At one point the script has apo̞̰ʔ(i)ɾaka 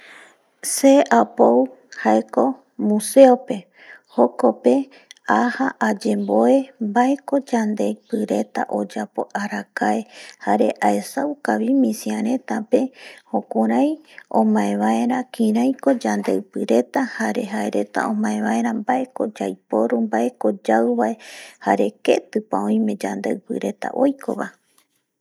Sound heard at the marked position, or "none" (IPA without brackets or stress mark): a